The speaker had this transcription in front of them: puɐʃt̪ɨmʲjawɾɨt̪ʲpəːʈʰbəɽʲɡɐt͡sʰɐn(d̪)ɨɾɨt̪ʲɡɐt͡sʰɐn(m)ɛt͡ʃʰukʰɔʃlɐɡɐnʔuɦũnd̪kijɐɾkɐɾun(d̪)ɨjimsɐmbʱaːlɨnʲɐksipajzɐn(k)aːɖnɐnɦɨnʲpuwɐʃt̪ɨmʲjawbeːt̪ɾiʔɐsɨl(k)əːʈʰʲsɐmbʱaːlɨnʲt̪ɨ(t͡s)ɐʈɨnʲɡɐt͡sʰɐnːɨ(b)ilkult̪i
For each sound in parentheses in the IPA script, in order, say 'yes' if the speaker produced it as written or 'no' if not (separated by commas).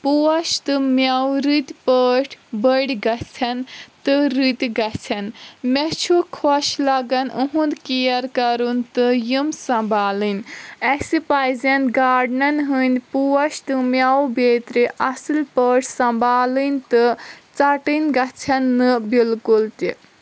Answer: no, yes, no, no, no, yes, yes